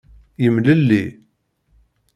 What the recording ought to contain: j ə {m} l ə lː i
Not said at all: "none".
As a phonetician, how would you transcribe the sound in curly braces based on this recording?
m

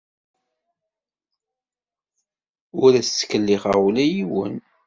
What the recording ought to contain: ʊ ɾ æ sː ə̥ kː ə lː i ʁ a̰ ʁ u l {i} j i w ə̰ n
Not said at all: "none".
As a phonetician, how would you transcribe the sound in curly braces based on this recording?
æ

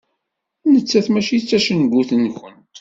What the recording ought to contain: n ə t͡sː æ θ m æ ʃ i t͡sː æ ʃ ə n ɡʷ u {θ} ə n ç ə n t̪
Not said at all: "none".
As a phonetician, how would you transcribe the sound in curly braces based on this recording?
θ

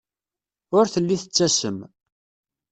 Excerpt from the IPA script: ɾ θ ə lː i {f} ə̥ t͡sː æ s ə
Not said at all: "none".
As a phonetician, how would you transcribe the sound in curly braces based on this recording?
θ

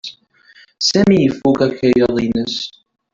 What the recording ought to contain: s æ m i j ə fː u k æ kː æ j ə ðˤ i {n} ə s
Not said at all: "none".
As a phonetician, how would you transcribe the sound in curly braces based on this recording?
n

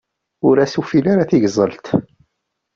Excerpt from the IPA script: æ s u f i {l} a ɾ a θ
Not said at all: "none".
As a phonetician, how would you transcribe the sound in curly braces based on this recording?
l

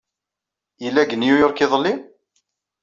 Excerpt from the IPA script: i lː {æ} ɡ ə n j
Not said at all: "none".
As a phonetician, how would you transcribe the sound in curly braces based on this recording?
æ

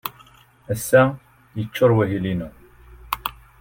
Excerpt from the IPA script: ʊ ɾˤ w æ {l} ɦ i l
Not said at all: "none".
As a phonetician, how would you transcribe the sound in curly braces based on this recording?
none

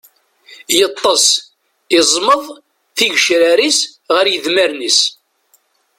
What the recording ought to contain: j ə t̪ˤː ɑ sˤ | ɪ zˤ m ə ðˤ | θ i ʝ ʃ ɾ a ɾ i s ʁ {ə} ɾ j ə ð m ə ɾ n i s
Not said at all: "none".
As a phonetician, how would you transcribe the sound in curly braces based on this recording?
ə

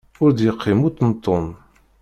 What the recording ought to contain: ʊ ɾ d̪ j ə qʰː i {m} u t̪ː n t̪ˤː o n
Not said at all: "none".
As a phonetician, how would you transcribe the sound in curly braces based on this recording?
m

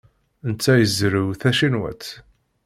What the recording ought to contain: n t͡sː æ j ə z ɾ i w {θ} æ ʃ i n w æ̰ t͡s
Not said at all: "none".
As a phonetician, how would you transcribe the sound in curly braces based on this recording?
θ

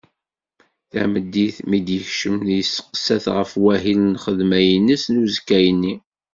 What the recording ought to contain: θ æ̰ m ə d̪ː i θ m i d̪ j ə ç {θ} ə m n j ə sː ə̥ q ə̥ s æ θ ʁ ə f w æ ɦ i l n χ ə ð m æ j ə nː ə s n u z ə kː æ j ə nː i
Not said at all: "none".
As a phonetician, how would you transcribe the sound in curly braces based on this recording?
ʃ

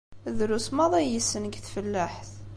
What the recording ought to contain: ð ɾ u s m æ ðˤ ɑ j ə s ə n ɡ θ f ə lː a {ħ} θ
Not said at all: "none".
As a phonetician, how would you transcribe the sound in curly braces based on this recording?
ħ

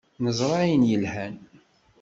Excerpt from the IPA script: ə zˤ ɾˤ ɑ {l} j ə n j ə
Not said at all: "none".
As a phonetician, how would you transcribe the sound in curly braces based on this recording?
none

